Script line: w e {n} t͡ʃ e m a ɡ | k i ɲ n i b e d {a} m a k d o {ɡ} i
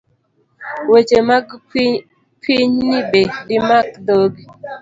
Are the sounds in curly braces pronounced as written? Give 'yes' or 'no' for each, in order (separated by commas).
no, no, yes